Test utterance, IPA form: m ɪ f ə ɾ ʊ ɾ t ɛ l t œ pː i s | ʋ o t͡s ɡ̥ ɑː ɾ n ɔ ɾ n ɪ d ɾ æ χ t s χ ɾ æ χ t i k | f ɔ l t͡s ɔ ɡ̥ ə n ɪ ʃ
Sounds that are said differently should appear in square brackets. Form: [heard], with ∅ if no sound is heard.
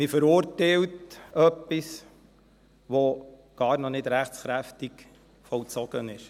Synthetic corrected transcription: m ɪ f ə ɾ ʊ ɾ t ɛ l t œ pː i s | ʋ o [∅] ɡ̥ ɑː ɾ n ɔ [∅] n ɪ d ɾ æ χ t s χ ɾ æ [f] t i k | f ɔ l t͡s ɔ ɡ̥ ə n ɪ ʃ